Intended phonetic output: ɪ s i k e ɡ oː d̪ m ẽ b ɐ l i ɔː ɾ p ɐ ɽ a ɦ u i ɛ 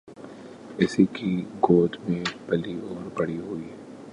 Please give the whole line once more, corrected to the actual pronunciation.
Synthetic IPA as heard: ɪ s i k i ɡ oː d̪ m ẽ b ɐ l i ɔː ɾ b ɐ ɽ i ɦ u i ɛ